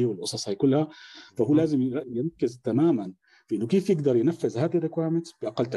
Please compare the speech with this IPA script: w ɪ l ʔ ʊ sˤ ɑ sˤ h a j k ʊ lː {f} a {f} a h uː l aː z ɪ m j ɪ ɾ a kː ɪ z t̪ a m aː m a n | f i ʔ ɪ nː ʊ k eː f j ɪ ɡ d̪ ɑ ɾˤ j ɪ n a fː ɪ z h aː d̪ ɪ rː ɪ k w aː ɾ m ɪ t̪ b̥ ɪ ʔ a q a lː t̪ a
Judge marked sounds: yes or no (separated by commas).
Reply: no, yes